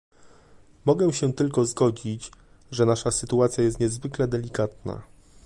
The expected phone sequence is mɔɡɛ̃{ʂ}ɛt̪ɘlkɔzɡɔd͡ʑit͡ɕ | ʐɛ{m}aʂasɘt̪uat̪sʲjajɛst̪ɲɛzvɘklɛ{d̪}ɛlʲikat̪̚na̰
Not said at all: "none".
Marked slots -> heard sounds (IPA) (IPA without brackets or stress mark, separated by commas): ɕ, n, d̪